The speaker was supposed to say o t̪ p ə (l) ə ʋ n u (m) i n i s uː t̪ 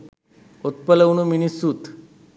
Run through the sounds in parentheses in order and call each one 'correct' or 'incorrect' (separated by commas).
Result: correct, correct